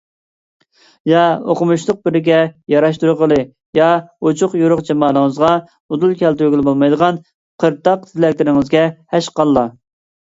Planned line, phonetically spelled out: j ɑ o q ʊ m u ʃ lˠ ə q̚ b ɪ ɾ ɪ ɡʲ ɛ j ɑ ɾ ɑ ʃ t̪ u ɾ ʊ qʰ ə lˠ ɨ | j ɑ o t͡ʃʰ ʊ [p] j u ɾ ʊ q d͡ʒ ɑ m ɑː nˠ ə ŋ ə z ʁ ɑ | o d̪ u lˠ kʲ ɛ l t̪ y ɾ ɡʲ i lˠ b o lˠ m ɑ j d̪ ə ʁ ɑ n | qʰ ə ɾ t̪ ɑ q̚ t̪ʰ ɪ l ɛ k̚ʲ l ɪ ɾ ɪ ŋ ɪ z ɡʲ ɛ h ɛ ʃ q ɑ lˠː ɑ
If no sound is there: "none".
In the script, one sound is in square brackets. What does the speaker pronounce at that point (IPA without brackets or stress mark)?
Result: q